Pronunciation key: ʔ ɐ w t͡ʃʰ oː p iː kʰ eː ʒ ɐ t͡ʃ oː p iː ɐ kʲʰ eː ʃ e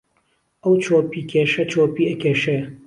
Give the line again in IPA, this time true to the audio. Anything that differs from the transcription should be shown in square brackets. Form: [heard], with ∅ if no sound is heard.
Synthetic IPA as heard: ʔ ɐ w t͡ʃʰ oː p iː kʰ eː [ʃ] ɐ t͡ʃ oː p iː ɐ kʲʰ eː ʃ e